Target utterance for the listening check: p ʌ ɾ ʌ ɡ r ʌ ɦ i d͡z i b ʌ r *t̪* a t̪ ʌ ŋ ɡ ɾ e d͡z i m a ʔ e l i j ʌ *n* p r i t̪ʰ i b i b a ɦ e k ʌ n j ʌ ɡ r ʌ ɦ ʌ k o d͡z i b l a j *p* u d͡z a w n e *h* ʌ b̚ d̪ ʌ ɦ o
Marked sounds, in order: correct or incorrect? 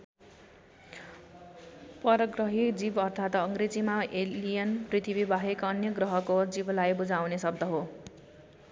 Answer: incorrect, correct, incorrect, incorrect

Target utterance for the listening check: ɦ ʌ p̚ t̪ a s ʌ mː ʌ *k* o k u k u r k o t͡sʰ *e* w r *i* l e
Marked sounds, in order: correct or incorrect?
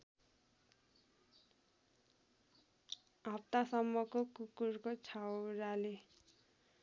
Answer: correct, incorrect, incorrect

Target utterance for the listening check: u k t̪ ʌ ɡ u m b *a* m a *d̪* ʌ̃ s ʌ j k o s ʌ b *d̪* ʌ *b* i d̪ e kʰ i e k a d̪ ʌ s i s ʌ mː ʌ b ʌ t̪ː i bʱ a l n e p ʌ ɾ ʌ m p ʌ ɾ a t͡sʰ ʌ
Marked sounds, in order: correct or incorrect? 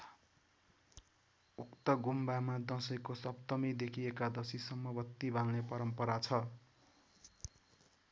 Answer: correct, correct, incorrect, incorrect

